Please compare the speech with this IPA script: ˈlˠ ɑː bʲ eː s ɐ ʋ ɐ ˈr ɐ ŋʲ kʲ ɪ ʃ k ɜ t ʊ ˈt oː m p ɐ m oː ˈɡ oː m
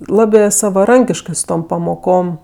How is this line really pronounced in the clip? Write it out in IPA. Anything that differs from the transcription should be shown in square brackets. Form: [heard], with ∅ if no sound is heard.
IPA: ˈlˠ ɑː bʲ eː s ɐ ʋ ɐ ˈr ɐ ŋʲ kʲ ɪ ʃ k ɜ [s] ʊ ˈt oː m p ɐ m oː [ˈk] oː m